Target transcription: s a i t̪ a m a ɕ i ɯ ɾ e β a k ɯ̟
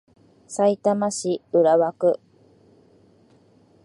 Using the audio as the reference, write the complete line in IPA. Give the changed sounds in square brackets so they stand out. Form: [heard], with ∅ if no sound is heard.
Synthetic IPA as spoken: s a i t̪ a m a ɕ i ɯ ɾ [a] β a k ɯ̟